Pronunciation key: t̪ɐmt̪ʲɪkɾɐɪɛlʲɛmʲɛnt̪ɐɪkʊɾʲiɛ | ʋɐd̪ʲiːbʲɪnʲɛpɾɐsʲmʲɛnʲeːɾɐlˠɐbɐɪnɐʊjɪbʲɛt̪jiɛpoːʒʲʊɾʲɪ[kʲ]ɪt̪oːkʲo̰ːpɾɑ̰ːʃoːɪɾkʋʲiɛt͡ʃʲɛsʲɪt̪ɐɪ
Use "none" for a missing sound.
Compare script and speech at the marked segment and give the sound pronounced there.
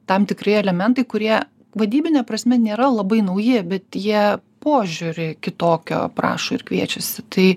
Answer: kʲ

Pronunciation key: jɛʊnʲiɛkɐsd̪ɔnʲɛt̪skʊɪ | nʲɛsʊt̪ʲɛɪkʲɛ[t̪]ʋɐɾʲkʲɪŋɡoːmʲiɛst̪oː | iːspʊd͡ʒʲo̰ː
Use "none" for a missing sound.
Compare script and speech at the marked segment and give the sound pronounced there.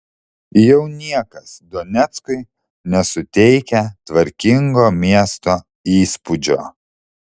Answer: t̪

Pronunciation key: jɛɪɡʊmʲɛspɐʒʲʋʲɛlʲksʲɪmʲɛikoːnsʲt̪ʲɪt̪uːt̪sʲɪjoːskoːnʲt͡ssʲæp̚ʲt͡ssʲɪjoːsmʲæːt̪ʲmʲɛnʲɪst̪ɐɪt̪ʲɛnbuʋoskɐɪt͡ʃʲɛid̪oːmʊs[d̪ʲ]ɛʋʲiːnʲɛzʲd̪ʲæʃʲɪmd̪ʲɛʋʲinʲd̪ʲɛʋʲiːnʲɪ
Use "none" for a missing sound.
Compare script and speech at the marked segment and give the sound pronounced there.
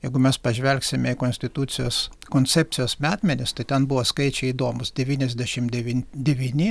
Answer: d̪ʲ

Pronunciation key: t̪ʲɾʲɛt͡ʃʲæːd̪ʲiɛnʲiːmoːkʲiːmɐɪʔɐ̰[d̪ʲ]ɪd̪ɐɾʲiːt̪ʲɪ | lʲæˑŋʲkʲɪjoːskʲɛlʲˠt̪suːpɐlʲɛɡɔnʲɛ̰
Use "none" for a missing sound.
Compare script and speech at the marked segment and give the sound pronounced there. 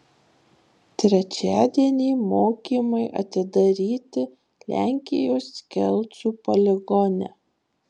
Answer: t̪ʲ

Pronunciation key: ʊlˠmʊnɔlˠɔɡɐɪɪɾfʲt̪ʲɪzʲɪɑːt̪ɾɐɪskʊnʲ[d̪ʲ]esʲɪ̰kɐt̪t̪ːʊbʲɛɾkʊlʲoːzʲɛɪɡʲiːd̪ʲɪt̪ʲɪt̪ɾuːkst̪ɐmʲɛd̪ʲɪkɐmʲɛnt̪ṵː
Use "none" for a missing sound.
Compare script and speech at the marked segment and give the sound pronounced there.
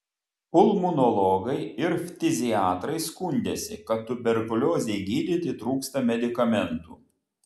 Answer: d̪ʲ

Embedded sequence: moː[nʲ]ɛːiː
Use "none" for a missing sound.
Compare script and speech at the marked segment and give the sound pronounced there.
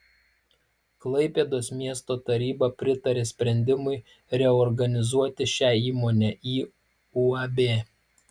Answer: nʲ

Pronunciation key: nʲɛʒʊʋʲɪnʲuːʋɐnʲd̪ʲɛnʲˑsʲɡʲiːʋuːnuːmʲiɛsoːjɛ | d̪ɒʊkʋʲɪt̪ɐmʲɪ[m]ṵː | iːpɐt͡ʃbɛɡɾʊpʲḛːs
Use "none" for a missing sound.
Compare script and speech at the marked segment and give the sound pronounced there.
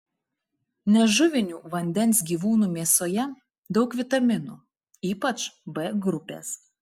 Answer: n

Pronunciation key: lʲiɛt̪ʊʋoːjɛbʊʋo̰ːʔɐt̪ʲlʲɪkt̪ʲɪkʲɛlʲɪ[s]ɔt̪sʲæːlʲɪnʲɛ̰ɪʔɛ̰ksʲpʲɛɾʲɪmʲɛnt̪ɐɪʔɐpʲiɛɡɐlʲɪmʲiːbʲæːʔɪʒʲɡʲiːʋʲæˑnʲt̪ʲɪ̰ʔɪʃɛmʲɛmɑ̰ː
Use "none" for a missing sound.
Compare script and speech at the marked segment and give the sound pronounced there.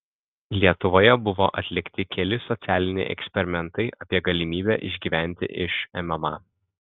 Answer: s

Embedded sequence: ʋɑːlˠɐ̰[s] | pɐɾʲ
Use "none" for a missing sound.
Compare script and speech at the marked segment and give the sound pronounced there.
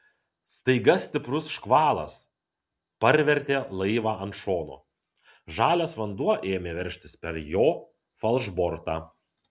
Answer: s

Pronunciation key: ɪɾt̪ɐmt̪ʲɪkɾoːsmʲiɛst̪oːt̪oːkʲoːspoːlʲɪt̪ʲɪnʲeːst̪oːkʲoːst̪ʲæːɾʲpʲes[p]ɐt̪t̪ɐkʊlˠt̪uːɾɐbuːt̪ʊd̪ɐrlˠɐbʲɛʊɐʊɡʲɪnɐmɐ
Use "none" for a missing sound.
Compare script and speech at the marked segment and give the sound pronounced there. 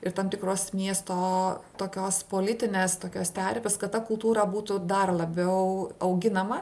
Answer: k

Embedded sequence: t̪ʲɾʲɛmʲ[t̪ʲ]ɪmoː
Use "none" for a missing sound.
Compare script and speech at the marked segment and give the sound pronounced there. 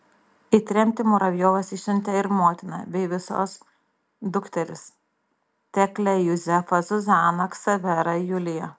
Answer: t̪ʲ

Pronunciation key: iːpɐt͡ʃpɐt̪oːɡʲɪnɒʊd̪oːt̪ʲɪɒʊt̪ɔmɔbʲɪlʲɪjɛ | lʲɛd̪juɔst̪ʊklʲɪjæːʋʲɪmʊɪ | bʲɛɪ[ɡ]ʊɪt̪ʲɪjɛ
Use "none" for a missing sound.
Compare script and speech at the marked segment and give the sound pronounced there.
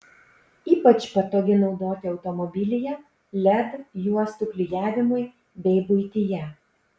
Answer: b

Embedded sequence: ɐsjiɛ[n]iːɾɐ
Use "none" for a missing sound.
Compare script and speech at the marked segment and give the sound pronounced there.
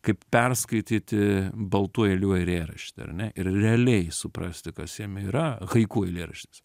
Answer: m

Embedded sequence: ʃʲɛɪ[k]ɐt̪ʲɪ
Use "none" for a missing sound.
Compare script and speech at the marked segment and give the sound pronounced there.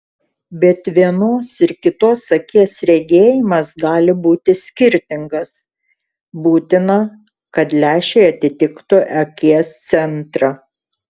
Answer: none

